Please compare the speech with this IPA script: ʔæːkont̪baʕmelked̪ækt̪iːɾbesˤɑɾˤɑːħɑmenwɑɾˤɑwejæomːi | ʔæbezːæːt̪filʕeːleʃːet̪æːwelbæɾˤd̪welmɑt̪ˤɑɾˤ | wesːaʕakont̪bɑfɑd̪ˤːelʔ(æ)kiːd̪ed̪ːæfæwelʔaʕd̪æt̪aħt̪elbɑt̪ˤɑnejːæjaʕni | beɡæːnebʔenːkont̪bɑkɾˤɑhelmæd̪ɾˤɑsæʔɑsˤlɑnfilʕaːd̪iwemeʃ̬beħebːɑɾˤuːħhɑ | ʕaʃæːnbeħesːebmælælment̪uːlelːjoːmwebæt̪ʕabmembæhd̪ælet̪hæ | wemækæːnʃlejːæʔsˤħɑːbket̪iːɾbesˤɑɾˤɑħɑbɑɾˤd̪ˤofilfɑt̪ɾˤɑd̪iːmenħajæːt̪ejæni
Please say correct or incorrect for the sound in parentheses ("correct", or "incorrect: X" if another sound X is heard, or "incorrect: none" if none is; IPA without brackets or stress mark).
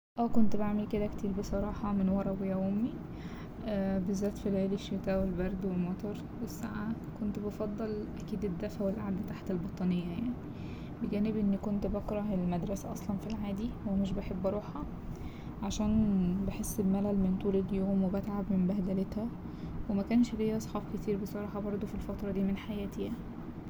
correct